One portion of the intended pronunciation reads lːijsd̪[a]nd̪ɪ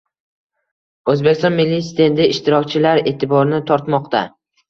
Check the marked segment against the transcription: incorrect: e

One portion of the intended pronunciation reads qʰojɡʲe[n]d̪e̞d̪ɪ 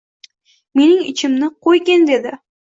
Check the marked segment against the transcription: correct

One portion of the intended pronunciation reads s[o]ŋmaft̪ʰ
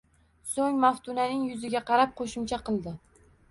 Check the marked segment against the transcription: correct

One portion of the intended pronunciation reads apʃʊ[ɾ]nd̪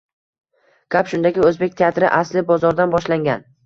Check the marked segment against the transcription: incorrect: none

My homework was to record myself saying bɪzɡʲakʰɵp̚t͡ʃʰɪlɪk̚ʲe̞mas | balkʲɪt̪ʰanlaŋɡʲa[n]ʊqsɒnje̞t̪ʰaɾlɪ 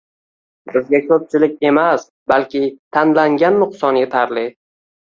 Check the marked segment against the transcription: incorrect: nː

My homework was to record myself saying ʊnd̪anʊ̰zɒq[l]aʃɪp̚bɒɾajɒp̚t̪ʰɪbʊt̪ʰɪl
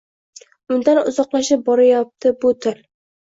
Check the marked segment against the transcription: correct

